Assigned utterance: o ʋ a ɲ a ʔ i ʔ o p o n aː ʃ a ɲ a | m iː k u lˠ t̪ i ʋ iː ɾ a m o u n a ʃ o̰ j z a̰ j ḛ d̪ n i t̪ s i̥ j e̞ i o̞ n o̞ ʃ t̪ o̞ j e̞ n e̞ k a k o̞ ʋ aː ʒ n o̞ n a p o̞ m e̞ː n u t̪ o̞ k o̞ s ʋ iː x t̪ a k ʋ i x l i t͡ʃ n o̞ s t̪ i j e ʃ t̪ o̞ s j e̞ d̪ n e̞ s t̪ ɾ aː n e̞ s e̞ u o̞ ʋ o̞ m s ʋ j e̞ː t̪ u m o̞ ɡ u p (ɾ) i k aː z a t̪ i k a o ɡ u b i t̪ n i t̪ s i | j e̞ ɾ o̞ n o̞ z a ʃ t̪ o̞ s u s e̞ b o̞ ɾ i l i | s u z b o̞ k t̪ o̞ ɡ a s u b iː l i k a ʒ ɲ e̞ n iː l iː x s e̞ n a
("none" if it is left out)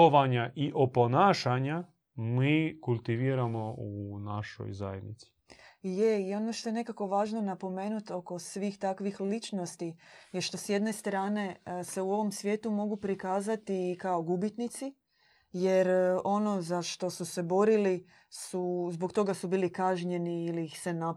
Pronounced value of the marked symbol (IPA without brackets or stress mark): ɾ